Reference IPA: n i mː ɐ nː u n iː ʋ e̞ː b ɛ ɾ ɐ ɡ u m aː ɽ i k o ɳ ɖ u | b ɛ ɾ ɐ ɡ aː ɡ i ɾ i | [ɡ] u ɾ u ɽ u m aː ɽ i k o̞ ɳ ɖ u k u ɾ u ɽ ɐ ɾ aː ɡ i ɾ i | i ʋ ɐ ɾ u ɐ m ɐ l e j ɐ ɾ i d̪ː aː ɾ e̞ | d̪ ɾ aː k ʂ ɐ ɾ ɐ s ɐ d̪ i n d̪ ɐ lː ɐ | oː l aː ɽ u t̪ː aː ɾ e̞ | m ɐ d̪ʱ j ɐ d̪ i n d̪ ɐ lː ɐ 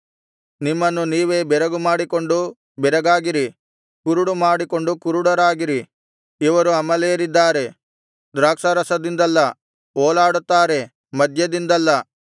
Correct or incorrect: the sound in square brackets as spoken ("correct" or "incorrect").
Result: incorrect